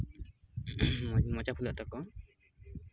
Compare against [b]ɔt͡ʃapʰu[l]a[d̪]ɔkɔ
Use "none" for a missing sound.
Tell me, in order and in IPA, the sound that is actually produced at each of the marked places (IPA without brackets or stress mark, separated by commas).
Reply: m, l, t̪